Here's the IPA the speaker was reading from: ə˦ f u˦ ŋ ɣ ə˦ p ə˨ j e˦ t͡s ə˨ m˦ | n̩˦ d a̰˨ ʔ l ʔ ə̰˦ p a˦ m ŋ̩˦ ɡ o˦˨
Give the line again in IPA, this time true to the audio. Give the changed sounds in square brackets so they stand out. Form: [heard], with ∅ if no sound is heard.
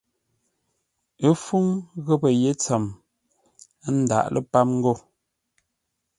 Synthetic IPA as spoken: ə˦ f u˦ ŋ ɣ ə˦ p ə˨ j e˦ t͡s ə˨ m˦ | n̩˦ d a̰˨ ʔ l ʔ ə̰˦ p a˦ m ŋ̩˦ ɡ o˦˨